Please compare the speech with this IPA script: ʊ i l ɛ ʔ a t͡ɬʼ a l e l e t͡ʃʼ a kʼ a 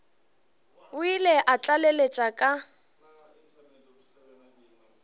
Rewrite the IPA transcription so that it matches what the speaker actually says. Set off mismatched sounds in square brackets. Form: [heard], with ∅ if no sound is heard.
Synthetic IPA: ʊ i l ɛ ʔ a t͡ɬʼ a l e l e t͡ʃʼ a kʼ a